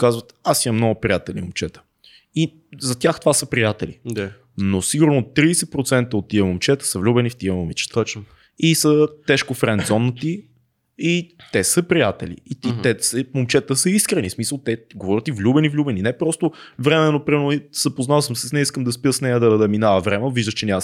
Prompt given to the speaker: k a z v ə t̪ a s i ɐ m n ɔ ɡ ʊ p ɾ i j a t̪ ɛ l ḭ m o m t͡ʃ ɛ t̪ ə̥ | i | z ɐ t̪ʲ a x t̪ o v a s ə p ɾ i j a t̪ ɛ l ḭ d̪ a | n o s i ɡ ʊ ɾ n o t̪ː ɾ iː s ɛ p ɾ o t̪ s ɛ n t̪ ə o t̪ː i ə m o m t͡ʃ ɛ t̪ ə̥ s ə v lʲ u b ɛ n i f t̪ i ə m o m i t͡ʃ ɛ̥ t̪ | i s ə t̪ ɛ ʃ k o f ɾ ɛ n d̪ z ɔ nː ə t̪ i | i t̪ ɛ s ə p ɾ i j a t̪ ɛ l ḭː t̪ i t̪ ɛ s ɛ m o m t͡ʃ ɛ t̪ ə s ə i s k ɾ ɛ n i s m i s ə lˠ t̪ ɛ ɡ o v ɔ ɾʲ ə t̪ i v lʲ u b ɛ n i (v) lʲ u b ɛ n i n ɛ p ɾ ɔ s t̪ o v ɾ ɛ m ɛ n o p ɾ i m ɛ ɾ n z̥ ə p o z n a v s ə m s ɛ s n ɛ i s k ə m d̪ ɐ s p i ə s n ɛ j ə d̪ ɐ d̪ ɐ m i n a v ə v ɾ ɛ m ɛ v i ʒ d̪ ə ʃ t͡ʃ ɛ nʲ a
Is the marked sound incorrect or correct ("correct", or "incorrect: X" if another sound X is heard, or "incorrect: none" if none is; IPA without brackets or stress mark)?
correct